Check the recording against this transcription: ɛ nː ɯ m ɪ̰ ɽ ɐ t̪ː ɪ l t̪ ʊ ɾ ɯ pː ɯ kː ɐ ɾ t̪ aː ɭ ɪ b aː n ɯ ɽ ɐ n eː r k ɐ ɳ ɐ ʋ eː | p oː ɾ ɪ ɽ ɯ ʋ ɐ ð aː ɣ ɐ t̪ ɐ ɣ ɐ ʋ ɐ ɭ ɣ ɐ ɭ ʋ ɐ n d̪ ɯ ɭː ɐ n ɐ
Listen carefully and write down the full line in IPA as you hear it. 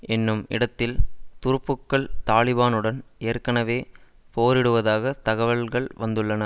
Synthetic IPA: ɛ nː ɯ m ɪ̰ ɽ ɐ t̪ː ɪ l t̪ ʊ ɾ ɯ pː ɯ kː ɐ ɭ t̪ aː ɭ ɪ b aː n ɯ ɽ ɐ n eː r k ɐ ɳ ɐ ʋ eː | p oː ɾ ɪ ɽ ɯ ʋ ɐ ð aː ɣ ɐ t̪ ɐ ɣ ɐ ʋ ɐ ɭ ɣ ɐ ɭ ʋ ɐ n d̪ ɯ ɭː ɐ n ɐ